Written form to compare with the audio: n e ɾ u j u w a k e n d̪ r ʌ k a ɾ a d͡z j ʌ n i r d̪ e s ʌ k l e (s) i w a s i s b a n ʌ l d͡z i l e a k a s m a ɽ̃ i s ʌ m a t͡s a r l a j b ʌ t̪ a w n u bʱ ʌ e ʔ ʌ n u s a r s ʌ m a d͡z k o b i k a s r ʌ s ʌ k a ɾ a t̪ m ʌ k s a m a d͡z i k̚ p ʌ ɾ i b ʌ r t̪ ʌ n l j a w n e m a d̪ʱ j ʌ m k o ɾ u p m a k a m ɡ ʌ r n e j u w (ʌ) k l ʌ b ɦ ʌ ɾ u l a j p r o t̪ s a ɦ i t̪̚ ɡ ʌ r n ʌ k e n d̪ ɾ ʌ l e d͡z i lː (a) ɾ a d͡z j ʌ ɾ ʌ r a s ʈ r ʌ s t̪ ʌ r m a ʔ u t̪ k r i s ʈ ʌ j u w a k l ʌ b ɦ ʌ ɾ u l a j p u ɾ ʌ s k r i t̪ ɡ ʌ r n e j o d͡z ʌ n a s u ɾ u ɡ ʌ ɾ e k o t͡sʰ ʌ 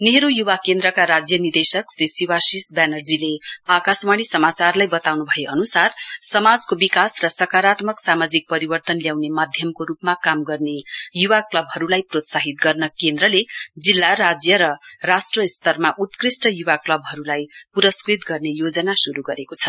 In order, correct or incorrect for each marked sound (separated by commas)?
correct, incorrect, correct